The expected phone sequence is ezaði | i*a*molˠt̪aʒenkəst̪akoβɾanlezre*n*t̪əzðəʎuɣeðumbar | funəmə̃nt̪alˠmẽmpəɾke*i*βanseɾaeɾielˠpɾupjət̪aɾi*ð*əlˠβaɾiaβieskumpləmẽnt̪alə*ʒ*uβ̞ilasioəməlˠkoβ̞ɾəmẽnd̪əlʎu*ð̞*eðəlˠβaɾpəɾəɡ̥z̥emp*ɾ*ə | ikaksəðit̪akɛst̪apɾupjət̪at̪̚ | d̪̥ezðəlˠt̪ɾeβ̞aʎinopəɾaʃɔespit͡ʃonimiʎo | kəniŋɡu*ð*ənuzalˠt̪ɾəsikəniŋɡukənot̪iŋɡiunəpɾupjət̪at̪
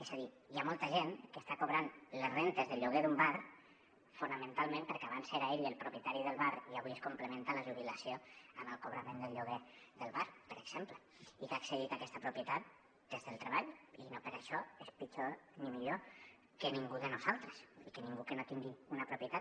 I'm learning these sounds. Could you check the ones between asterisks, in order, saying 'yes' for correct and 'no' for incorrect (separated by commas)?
yes, yes, no, yes, yes, no, no, yes